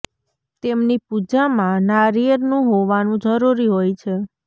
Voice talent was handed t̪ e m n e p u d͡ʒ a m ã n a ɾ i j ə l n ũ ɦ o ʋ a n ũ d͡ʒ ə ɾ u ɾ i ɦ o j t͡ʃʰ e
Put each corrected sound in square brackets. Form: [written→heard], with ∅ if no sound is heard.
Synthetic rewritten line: t̪ e m n [e→i] p u d͡ʒ a m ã n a ɾ i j ə [l→ɾ] n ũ ɦ o ʋ a n ũ d͡ʒ ə ɾ u ɾ i ɦ o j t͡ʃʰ e

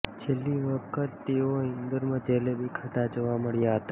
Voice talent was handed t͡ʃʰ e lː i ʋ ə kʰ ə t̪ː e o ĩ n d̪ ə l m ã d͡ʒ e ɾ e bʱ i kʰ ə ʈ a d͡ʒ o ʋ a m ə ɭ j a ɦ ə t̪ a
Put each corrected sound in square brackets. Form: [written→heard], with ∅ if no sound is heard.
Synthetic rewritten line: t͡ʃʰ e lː i ʋ ə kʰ ə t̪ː e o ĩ n d̪ ə [l→ɾ] m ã d͡ʒ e [ɾ→l] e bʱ i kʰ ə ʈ a d͡ʒ o ʋ a m ə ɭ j a ɦ ə t̪ a

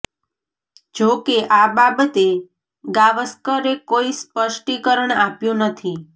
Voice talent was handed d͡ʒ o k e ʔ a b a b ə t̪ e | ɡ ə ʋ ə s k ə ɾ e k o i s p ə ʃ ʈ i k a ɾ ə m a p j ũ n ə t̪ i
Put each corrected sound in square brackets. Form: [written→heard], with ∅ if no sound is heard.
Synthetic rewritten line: d͡ʒ o k e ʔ a b a b ə t̪ e | ɡ [ə→a] ʋ ə s k ə ɾ e k o i s p ə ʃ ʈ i k [a→ə] ɾ ə [m→ɳ] a p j ũ n ə [t̪→t̪ʰ] i

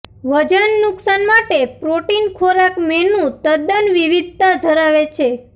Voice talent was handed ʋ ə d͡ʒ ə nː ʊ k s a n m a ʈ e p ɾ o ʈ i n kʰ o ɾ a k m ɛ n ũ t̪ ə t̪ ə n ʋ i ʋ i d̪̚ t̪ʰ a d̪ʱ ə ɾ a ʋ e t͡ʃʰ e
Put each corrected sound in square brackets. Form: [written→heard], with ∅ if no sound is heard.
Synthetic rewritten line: ʋ ə d͡ʒ ə nː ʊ k s a n m a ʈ e p ɾ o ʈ i n kʰ o ɾ a k m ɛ n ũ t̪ ə [t̪→d̪] ə n ʋ i ʋ i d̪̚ [t̪ʰ→t̪] a d̪ʱ ə ɾ a ʋ e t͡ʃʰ e

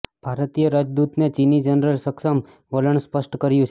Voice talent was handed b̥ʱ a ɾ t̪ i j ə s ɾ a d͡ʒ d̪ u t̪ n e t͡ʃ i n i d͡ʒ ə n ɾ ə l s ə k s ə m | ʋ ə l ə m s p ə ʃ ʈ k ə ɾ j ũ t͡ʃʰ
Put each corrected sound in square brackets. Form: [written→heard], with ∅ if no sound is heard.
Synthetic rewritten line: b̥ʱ a ɾ t̪ i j ə [s→∅] ɾ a d͡ʒ d̪ u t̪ n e t͡ʃ i n i d͡ʒ ə n ɾ ə l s ə k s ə m | ʋ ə l ə [m→ɳ] s p ə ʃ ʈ k ə ɾ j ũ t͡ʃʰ

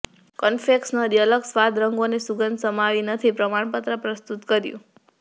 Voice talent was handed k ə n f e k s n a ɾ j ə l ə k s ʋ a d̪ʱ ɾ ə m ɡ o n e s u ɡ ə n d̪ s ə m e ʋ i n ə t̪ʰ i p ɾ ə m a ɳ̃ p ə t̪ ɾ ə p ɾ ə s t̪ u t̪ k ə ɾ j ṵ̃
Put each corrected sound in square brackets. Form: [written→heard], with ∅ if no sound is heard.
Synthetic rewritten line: k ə n f e k s n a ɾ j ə l ə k s ʋ a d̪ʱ ɾ ə [m→ŋ] ɡ o n e s u ɡ ə n d̪ s ə m [e→a] ʋ i n ə t̪ʰ i p ɾ ə m a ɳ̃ p ə t̪ ɾ ə p ɾ ə s t̪ u t̪ k ə ɾ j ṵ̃

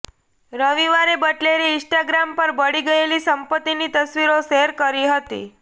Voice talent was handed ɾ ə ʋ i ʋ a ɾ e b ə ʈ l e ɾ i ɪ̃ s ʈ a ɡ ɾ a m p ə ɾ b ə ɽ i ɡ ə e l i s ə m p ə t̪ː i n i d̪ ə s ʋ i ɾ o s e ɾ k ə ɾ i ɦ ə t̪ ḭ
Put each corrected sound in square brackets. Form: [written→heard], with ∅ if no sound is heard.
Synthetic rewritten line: ɾ ə ʋ i ʋ a ɾ e b ə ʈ l e ɾ i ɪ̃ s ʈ a ɡ ɾ a m p ə ɾ b ə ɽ i ɡ ə e l i s ə m p ə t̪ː i n i [d̪→t̪] ə s ʋ i ɾ o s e ɾ k ə ɾ i ɦ ə t̪ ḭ

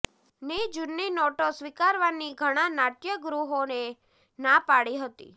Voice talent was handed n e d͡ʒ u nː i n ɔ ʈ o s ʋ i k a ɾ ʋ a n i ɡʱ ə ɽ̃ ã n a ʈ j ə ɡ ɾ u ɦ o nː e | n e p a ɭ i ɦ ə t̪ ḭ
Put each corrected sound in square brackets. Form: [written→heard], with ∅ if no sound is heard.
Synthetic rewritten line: n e d͡ʒ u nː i n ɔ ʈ o s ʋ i k a ɾ ʋ a n i ɡʱ ə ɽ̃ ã n a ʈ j ə ɡ ɾ u ɦ o [nː→n] e | n [e→a] p a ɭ i ɦ ə t̪ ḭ

